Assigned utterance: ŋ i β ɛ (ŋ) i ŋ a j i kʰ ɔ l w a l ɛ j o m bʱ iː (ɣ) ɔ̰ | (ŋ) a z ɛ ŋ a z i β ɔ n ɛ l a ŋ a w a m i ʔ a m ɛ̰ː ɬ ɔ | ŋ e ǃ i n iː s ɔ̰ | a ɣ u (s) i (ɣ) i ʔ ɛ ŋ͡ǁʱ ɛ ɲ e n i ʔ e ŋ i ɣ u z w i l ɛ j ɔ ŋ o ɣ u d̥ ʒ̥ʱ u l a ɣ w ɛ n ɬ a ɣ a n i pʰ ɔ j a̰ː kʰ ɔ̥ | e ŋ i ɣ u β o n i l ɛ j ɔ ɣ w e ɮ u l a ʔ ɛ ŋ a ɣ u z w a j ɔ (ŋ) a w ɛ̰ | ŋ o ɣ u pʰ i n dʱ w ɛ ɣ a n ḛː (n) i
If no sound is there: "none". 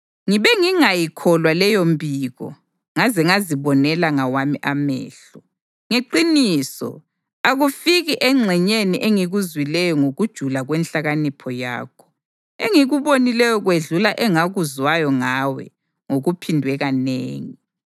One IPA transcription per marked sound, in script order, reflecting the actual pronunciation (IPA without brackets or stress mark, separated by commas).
ŋ, ɣ, ŋ, f, ɣ, ŋ, ŋ